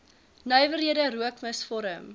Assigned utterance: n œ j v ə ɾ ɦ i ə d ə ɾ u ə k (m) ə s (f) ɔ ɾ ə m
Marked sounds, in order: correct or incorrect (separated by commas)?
correct, correct